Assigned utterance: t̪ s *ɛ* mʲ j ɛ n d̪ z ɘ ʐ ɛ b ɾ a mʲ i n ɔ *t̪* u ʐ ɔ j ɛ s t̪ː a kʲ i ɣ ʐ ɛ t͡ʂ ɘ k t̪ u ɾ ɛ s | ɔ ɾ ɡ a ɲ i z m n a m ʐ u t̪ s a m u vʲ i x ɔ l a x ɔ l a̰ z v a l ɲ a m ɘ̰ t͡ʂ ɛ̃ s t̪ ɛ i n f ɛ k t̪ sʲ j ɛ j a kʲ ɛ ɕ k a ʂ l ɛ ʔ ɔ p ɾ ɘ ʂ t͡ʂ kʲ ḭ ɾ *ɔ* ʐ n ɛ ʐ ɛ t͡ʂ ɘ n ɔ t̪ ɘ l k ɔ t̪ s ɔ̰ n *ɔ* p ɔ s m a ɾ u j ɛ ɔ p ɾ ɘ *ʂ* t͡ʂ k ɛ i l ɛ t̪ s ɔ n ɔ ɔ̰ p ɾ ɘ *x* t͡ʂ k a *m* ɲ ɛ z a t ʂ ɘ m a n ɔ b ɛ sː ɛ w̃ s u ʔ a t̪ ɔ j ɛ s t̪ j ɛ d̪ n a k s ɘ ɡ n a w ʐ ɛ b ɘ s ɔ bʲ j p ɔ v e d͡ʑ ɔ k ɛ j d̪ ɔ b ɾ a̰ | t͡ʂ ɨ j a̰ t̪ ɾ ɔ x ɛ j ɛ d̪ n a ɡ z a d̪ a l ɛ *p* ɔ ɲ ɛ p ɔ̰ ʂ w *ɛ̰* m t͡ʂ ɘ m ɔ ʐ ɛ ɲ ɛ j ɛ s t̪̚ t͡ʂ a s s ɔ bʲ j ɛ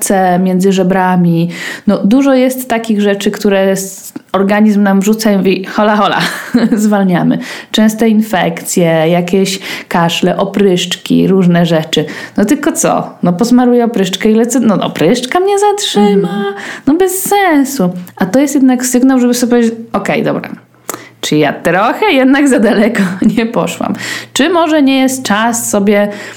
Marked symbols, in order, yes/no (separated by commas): yes, no, no, yes, yes, no, yes, no, no